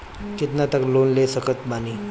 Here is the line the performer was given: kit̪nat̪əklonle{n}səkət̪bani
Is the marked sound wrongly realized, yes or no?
yes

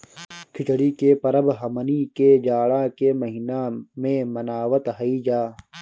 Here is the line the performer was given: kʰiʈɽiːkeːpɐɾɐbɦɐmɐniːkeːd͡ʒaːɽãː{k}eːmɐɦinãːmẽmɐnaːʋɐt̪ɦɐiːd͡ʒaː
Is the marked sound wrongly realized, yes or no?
no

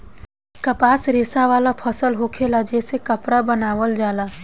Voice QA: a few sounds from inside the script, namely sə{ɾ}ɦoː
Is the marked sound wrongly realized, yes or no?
yes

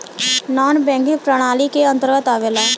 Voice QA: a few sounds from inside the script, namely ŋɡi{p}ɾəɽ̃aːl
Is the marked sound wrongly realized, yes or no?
no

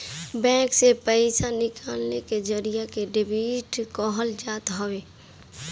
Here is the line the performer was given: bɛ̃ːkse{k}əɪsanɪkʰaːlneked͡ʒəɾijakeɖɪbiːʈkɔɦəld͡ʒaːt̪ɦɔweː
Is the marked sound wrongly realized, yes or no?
yes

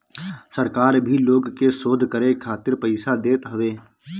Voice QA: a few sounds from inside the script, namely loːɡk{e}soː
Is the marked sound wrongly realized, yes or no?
no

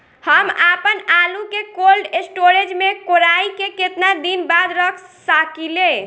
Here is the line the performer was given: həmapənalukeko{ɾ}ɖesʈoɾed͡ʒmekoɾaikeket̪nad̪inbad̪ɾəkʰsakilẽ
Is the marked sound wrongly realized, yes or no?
yes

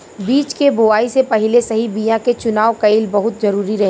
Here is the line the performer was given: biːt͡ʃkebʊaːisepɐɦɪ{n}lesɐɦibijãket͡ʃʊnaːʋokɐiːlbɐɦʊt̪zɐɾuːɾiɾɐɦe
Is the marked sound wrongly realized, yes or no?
yes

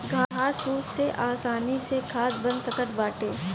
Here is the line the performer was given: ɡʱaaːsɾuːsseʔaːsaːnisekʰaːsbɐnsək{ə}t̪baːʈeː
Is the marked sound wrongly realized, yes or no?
no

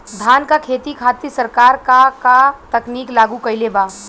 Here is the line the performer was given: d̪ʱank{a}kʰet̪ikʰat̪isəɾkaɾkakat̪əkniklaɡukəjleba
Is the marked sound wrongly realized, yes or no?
no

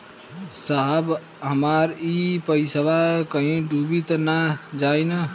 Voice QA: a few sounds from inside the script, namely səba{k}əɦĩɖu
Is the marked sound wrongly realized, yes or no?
no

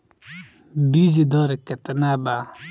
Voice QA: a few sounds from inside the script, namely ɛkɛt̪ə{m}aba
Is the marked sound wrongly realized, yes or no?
yes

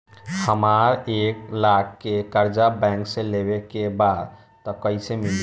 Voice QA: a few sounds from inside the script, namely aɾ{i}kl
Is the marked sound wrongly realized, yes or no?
yes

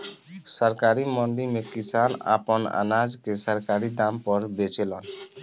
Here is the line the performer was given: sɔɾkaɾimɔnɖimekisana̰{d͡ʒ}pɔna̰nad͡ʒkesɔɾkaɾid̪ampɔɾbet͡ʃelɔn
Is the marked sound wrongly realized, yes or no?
yes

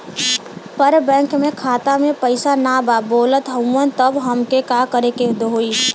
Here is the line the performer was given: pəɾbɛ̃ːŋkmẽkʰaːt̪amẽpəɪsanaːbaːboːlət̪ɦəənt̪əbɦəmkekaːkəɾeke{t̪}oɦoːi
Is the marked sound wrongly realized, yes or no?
yes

